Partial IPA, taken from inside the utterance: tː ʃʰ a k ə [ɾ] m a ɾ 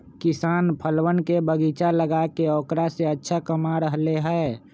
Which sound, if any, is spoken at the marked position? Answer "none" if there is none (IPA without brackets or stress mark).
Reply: none